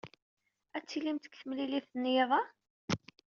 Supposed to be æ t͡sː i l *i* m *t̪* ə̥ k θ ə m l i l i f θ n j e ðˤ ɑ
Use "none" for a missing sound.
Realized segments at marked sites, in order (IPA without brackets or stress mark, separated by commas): i, t̪